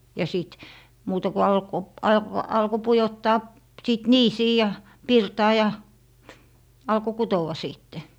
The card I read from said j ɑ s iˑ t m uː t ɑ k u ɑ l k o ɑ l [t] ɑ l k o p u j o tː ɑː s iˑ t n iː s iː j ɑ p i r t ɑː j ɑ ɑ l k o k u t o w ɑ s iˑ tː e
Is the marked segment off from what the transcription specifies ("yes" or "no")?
yes